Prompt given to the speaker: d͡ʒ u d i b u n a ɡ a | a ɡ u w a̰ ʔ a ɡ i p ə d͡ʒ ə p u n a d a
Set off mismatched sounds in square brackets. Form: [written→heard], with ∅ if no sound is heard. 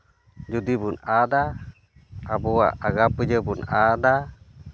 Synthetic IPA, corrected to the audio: d͡ʒ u d i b u n a [ɡ→d] a | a [ɡ→b] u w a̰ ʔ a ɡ [i→a] p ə d͡ʒ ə [p→b] u n a d a